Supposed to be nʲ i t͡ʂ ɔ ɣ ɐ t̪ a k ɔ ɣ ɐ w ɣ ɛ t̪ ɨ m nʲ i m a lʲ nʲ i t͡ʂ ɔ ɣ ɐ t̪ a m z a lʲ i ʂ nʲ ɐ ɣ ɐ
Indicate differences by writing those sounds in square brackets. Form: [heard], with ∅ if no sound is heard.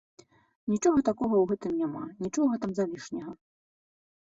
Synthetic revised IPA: nʲ i t͡ʂ ɔ ɣ ɐ t̪ a k ɔ ɣ ɐ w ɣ ɛ t̪ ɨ m nʲ [a] m a [∅] nʲ i t͡ʂ ɔ ɣ ɐ t̪ a m z a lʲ i ʂ nʲ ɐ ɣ ɐ